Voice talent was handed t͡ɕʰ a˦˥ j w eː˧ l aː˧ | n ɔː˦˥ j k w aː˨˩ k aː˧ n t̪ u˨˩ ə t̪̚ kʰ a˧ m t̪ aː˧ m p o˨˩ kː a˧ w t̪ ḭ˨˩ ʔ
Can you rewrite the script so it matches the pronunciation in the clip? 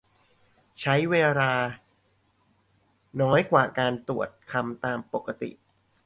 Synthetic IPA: t͡ɕʰ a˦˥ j w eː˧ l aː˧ | n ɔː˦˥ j k w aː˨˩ k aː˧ n t̪ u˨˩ ə t̪̚ kʰ a˧ m t̪ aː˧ m p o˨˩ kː a˧ t̪ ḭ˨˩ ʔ

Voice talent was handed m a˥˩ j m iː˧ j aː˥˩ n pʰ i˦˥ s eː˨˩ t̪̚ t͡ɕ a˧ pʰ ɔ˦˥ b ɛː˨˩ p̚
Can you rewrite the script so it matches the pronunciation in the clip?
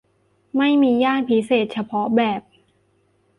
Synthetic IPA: m a˥˩ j m iː˧ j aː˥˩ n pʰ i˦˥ s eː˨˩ t̪̚ t͡ɕʰ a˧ pʰ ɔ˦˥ b ɛː˨˩ p̚

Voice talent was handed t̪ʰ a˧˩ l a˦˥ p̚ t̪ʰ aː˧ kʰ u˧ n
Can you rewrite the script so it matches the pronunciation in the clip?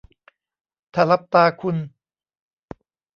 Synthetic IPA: t̪ʰ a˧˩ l a˦˥ p̚ t̪ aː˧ kʰ u˧ n

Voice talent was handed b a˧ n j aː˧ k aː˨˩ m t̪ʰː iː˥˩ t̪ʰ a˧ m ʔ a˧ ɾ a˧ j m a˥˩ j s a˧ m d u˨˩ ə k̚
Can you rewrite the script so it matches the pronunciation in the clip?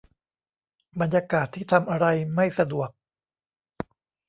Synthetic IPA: b a˧ n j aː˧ k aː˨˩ t̪ʰː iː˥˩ t̪ʰ a˧ m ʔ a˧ ɾ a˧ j m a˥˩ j s a˧ d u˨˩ ə k̚

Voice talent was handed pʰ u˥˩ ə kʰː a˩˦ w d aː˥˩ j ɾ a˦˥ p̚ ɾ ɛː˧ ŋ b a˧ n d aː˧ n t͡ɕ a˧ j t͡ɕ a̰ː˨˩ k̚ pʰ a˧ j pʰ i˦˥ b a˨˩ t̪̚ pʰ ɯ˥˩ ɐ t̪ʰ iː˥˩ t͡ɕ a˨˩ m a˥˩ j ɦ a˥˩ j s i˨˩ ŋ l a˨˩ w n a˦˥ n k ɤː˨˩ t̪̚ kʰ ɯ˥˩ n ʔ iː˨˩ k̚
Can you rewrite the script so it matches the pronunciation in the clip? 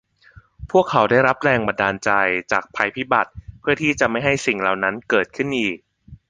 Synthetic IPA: pʰ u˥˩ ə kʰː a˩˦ w d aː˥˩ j ɾ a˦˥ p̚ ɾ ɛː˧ ŋ b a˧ n d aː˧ n t͡ɕ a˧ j t͡ɕ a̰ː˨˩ k̚ pʰ a˧ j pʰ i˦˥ b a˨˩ t̪̚ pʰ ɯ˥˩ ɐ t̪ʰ iː˥˩ t͡ɕ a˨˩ m a˥˩ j ɦ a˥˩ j s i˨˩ ŋ l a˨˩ w n a˦˥ n k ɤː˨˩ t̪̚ kʰ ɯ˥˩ n ʔ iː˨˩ k̚

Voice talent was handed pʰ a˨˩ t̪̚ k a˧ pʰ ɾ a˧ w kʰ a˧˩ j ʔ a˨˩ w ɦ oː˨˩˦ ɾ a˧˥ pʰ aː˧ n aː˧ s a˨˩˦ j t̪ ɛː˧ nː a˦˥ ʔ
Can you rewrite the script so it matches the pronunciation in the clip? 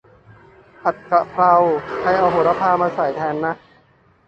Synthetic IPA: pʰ a˨˩ t̪̚ k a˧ pʰ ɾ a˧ w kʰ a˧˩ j ʔ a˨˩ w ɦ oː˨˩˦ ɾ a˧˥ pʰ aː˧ m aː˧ s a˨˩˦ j t̪ʰ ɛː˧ nː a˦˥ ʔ

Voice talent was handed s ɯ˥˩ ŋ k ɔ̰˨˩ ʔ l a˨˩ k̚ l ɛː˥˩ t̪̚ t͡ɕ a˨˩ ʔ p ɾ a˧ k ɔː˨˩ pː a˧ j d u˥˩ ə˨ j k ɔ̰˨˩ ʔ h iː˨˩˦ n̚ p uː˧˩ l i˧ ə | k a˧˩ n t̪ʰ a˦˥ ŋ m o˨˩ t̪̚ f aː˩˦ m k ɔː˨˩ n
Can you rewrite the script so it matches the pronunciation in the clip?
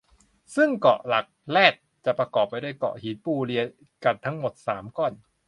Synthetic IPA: s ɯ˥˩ ŋ k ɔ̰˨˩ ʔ l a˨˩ k̚ l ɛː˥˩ t̪̚ t͡ɕ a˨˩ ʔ p ɾ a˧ k ɔː˨˩ pː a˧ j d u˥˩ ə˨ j k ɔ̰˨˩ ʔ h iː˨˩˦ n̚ p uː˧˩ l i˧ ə | k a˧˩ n t̪ʰ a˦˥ ŋ m o˨˩ t̪̚ s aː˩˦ m k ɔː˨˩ n

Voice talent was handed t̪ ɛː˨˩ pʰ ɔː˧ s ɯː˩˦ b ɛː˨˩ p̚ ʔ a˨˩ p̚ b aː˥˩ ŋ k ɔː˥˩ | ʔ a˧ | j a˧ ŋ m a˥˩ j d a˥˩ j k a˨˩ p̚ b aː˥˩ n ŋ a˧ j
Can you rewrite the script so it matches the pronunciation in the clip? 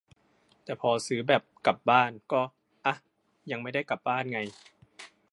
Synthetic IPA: t̪ ɛː˨˩ pʰ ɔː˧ s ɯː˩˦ b ɛː˨˩ p̚ k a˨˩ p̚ b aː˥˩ n k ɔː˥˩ | ʔ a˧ | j a˧ ŋ m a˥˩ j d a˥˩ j k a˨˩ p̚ b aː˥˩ n ŋ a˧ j

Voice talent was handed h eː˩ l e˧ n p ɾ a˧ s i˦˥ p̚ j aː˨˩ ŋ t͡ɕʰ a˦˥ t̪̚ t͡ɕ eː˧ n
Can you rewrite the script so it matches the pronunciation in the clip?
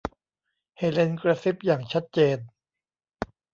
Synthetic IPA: h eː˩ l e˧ n k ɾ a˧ s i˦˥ p̚ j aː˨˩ ŋ t͡ɕʰ a˦˥ t̪̚ t͡ɕ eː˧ n

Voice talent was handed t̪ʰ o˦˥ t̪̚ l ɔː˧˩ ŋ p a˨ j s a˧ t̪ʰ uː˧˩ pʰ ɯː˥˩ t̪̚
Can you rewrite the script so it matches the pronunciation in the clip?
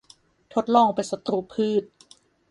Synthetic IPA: t̪ʰ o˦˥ t̪̚ l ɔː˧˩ ŋ p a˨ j s a˧ t̪ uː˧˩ pʰ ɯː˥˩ t̪̚

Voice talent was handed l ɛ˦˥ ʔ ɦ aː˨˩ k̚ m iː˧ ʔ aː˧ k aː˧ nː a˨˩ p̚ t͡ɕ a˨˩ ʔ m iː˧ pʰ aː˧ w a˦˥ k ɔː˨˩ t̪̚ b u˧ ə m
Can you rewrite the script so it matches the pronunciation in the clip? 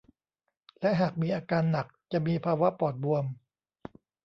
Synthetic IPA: l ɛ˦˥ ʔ ɦ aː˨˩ k̚ m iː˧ ʔ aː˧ k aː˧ nː a˨˩ k̚ t͡ɕ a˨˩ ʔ m iː˧ pʰ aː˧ w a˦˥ p ɔː˨˩ t̪̚ b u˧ ə m

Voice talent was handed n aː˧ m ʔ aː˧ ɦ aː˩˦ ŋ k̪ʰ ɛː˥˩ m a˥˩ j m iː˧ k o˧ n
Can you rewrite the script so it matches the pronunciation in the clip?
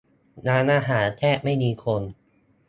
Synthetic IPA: n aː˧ n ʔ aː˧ ɦ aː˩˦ n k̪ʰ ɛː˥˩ m a˥˩ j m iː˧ kʰ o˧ n

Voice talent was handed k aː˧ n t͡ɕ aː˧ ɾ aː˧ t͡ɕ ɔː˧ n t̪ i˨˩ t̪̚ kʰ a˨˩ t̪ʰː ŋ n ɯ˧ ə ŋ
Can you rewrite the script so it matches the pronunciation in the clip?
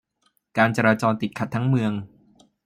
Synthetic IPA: k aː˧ n t͡ɕ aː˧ ɾ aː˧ t͡ɕ ɔː˧ n t̪ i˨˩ t̪̚ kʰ a˨˩ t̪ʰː ŋ m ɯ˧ ə ŋ

